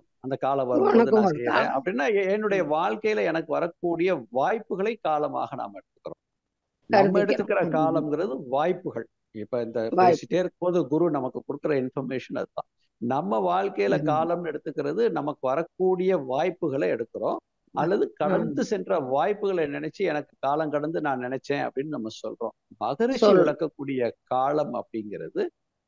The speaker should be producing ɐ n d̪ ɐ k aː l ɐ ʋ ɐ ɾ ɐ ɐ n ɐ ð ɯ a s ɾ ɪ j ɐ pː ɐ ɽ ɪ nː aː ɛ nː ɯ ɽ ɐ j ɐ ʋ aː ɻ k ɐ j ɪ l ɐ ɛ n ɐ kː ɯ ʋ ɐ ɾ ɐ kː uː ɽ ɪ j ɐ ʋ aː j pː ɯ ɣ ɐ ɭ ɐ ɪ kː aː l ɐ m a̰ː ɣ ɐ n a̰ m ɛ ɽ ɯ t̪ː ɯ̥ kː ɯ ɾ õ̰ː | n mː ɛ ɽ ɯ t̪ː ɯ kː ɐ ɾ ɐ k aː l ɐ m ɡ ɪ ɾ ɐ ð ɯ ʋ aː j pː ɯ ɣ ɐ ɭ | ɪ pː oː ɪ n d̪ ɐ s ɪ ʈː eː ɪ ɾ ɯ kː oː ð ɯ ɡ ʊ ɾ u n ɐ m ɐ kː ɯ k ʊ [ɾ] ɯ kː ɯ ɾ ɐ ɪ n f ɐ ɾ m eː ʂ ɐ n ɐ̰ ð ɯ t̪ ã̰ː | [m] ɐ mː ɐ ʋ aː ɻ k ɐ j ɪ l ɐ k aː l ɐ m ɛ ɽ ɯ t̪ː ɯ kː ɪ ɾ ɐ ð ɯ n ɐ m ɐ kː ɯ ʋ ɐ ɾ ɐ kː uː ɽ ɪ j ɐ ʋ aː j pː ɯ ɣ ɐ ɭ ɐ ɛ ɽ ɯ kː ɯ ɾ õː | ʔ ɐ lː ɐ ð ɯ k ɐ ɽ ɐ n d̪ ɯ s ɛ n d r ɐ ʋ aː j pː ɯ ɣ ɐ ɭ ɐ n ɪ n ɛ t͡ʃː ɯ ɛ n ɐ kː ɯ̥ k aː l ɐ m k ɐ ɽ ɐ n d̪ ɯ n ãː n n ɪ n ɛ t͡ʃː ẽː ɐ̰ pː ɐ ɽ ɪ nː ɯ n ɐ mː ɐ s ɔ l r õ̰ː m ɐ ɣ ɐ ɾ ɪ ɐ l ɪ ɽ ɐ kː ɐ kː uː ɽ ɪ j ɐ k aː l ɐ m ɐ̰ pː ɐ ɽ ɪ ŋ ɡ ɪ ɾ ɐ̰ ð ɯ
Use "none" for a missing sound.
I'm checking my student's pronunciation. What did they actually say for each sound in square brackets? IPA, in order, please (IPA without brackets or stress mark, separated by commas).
ɽ, n